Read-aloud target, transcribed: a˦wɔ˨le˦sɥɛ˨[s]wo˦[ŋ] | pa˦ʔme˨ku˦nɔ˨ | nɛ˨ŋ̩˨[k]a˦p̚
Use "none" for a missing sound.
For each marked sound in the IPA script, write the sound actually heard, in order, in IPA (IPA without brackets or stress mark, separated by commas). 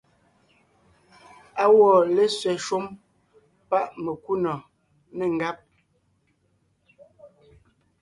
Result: ʃ, m, ɡ